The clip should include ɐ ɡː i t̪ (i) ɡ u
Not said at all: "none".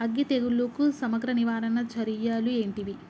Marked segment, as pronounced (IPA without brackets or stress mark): e